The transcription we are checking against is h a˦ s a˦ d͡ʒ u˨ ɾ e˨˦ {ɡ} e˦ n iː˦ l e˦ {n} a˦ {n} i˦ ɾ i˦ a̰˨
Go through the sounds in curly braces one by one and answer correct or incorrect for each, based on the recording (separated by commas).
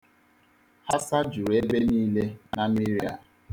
incorrect, correct, incorrect